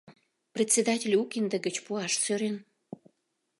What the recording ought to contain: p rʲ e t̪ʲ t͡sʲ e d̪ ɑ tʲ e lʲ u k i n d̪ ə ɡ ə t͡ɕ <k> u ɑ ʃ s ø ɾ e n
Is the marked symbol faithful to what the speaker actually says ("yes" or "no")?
no